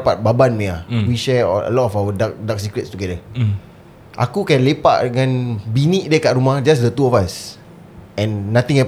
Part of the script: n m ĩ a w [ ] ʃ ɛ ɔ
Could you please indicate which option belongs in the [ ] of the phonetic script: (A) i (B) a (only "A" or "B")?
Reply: A